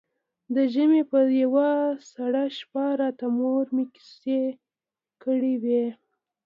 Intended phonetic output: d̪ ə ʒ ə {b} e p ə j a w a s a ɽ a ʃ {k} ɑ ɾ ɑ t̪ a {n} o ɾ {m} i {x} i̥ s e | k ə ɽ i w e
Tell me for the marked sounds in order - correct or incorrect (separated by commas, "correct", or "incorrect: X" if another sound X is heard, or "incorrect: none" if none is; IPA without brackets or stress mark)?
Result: incorrect: m, incorrect: p, incorrect: m, correct, incorrect: k